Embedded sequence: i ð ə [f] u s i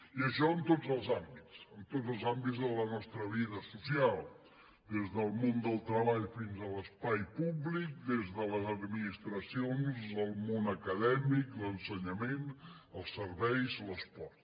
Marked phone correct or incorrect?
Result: incorrect: s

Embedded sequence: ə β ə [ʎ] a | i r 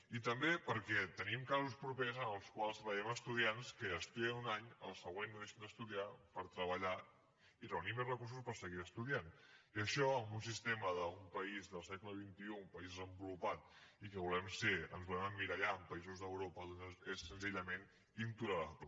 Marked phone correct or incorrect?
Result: correct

